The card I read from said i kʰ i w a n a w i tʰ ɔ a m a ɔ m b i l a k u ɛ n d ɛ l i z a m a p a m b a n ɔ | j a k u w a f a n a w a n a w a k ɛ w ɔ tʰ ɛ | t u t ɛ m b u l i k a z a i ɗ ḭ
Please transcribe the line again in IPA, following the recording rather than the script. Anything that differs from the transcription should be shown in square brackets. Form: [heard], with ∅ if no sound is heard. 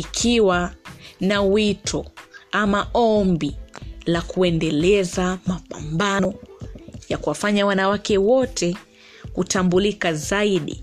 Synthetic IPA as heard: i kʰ i w a n a w i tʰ ɔ a m a ɔ m b i l a k u ɛ n d ɛ l [ɛ] z a m a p a m b a n ɔ | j a k u w a f a [ɲ] a w a n a w a k ɛ w ɔ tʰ ɛ | [k] u t [a] m b u l i k a z a i ɗ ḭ